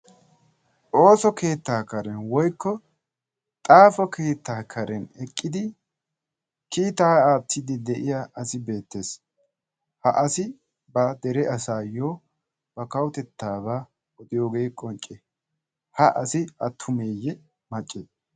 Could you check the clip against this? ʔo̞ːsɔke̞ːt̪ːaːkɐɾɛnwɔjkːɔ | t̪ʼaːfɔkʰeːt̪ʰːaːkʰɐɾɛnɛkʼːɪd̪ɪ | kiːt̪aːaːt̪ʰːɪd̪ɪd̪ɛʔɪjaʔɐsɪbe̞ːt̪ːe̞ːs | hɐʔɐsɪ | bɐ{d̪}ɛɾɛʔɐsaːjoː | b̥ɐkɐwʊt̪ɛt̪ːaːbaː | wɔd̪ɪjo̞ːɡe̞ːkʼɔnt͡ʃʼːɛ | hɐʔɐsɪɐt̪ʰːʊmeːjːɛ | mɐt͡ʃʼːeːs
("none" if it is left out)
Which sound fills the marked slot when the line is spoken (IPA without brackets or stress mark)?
d̪